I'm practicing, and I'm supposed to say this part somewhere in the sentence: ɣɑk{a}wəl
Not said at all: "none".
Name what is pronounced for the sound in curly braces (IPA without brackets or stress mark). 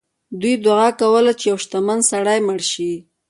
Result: a